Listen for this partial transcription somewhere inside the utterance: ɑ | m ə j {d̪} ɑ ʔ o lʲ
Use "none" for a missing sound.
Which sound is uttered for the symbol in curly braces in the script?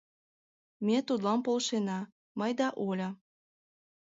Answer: d̪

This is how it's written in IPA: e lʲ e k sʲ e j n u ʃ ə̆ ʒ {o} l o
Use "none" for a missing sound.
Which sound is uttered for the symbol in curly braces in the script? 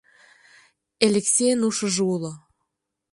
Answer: u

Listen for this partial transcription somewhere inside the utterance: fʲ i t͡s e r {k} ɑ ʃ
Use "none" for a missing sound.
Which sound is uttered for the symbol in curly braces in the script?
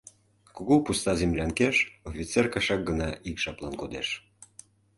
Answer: k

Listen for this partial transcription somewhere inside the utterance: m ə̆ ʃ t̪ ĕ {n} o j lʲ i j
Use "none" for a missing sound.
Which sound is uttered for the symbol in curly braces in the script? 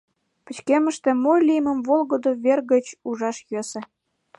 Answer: m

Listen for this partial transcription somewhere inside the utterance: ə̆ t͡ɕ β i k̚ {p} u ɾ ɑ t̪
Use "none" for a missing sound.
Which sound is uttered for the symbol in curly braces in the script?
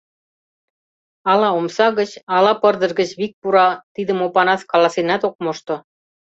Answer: p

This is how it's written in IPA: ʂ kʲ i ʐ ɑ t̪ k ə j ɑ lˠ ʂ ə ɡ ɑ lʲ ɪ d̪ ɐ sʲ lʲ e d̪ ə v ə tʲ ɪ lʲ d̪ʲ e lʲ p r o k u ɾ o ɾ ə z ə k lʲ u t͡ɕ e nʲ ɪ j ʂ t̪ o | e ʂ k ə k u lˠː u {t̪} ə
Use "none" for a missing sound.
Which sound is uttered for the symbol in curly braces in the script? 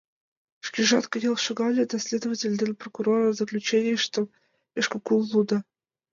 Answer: d̪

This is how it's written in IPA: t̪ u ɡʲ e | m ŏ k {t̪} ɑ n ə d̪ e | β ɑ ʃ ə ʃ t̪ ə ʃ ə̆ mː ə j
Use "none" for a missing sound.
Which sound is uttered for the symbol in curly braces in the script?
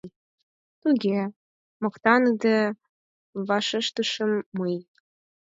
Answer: t̪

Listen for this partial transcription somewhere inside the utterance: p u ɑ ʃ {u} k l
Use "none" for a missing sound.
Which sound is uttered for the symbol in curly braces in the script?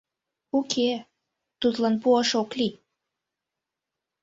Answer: o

